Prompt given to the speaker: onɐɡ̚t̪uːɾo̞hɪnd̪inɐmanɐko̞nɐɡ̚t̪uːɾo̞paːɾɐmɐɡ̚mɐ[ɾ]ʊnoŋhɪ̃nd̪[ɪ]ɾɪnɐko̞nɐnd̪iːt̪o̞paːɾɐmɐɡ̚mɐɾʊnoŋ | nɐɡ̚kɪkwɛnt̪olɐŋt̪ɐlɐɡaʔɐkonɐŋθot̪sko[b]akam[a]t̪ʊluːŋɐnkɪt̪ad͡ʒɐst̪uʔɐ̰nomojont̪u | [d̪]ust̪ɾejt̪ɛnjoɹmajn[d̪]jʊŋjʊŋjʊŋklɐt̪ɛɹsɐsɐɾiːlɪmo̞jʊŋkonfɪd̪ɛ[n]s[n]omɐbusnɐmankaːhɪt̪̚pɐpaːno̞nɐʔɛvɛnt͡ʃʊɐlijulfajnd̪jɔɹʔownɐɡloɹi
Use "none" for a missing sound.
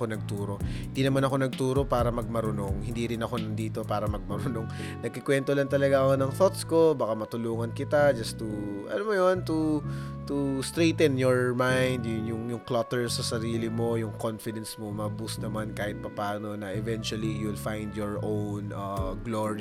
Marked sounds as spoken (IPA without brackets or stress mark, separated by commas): ɾ, i, b, ɐ, t̪, d̪, n, m